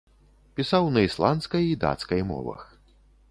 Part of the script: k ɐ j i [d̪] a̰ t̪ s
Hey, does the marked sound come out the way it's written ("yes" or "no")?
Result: yes